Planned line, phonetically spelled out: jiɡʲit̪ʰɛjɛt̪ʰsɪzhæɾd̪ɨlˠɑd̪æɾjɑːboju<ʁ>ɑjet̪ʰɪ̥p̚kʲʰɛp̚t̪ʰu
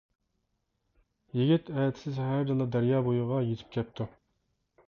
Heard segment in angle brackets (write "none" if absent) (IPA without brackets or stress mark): ʁ